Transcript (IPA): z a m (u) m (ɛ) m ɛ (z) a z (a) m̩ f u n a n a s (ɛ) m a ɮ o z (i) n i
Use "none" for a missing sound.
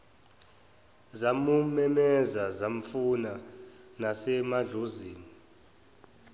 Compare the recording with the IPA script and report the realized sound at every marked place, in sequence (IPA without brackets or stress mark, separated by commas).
u, ɛ, z, a, ɛ, iː